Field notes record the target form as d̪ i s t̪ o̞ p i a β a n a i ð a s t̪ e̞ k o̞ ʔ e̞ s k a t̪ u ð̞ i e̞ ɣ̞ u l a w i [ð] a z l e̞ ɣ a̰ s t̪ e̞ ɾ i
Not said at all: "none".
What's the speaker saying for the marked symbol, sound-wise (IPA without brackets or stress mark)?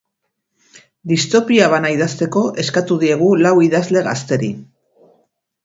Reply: ð